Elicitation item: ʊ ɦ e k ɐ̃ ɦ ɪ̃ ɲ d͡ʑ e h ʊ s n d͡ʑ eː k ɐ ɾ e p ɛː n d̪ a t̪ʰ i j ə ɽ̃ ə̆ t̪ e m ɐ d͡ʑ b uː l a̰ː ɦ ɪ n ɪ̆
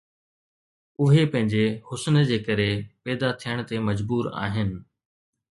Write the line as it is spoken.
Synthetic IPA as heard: ʊ ɦ e p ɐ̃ ɦ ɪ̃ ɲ d͡ʑ e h ʊ s n d͡ʑ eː k ɐ ɾ e p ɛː d̪ a t̪ʰ i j ə ɽ̃ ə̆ t̪ e m ɐ d͡ʑ b uː ɾ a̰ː ɦ ɪ n ɪ̆